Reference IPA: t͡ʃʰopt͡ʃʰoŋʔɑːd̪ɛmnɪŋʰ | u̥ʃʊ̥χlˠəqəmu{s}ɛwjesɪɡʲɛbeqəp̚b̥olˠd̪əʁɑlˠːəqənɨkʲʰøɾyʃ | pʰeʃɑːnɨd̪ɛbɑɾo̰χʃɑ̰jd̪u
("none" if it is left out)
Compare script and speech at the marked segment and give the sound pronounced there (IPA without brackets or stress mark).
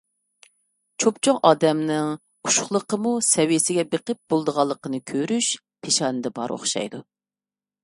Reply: s